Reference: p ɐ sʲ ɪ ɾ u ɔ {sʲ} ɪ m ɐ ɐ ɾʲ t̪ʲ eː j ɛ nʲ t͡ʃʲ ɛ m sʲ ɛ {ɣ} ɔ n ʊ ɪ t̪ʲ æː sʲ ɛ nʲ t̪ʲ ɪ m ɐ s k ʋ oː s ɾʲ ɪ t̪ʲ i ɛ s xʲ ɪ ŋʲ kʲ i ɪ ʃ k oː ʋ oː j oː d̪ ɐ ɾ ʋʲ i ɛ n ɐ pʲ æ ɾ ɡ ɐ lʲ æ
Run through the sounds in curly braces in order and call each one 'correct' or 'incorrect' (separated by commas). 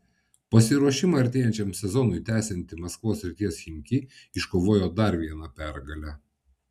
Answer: incorrect, incorrect